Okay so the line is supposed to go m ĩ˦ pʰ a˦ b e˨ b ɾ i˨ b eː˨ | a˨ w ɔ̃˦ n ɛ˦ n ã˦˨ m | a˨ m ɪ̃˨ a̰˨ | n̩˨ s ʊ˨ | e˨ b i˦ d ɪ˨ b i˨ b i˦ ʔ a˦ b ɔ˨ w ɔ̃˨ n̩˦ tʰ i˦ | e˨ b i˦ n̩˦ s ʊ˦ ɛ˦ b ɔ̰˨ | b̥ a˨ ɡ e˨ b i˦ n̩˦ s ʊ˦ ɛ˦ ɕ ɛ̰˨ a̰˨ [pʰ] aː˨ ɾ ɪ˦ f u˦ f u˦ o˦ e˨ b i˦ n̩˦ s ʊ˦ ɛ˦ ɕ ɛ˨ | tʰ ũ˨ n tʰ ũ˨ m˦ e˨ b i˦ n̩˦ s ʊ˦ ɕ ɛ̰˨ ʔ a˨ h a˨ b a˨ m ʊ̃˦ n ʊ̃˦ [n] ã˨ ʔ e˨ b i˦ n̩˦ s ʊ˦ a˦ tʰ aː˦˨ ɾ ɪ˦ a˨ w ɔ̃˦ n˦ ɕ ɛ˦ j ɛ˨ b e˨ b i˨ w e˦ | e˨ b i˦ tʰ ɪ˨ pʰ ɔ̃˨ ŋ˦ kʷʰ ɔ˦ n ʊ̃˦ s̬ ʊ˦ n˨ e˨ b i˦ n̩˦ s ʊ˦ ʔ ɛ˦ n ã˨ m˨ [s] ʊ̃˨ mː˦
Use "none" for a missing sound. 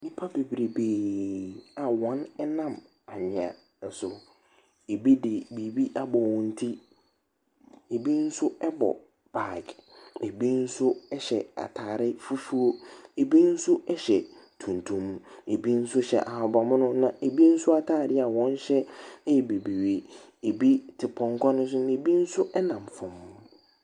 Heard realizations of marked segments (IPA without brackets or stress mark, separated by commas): tʰ, n, f